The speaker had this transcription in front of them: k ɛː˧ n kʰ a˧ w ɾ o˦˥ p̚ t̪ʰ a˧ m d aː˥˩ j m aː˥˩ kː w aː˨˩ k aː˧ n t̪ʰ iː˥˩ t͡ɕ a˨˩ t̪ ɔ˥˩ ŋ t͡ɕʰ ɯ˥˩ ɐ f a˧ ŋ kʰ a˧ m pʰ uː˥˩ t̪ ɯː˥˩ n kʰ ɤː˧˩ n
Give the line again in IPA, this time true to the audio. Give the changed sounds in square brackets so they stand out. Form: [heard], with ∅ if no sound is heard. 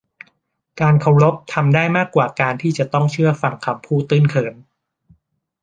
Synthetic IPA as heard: k [aː˧] n kʰ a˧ w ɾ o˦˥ p̚ t̪ʰ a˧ m d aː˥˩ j m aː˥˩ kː w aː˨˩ k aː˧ n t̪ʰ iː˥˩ t͡ɕ a˨˩ t̪ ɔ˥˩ ŋ t͡ɕʰ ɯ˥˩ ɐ f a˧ ŋ kʰ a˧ m pʰ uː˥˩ t̪ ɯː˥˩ n kʰ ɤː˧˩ n